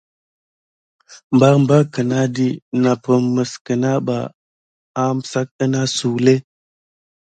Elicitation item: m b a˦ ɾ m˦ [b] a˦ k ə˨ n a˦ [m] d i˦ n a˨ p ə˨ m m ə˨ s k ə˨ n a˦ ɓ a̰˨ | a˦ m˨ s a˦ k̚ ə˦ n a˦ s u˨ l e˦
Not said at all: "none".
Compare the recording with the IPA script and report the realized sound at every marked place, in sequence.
b, none

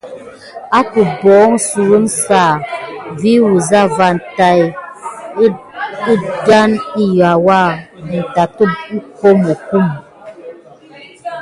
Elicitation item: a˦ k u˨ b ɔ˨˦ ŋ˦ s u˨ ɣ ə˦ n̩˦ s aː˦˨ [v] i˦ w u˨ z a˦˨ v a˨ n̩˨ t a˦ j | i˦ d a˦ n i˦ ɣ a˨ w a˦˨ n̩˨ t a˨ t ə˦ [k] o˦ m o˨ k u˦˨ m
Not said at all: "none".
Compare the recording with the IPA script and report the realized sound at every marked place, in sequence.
v, k

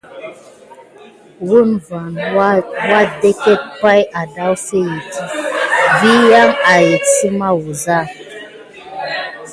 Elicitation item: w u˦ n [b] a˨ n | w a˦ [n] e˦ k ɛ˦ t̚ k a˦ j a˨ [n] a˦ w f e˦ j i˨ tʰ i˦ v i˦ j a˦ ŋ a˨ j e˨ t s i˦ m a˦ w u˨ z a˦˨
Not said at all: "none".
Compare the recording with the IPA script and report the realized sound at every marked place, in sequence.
v, d, d

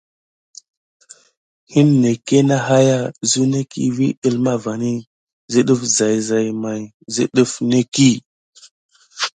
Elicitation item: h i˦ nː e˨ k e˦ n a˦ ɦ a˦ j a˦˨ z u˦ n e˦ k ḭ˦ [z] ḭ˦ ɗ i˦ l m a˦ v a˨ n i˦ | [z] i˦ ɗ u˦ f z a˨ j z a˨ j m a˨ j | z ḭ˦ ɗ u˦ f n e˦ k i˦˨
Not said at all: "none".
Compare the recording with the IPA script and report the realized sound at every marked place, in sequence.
v, z

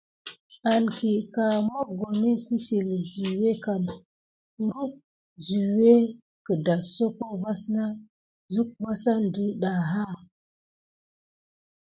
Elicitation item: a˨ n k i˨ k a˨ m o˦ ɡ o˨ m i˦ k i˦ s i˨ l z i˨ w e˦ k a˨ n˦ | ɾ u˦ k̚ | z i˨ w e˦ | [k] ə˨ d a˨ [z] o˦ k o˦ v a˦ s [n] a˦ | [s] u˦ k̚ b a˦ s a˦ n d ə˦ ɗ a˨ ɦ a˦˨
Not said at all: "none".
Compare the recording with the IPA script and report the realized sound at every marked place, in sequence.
k, s, n, z

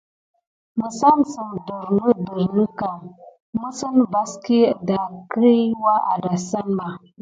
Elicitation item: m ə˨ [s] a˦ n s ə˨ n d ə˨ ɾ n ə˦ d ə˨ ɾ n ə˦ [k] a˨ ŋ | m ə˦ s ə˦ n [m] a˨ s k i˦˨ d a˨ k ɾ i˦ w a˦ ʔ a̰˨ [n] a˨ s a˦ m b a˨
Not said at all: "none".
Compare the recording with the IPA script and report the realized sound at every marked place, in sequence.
s, k, b, d

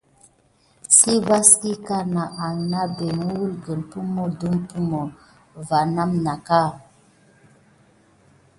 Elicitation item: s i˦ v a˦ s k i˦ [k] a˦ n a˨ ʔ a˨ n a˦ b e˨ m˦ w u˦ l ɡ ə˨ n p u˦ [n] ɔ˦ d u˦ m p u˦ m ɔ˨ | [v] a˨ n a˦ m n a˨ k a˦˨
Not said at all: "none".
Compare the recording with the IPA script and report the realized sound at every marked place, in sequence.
k, m, v

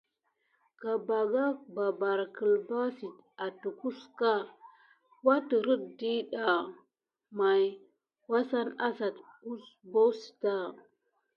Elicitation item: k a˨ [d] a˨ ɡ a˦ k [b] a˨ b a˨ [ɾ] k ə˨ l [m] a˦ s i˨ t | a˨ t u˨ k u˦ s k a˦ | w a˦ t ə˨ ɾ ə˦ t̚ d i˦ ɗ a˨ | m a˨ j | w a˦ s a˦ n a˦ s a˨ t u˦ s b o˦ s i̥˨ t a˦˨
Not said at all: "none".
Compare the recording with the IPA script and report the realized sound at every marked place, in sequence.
b, b, ɾ, b

